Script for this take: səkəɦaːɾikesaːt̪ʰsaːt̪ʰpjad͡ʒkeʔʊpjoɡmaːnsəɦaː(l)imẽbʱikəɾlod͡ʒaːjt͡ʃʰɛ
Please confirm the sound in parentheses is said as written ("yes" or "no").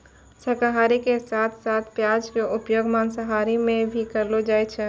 no